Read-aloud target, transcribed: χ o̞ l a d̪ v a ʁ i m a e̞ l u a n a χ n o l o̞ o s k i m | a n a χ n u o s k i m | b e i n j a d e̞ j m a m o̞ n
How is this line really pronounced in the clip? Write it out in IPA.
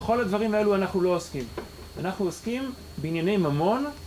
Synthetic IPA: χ o̞ l a d̪ v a ʁ i m a e̞ l u a n a χ n u l o̞ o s k i m | a n a χ n u o s k i m | b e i n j a n e̞ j m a m o̞ n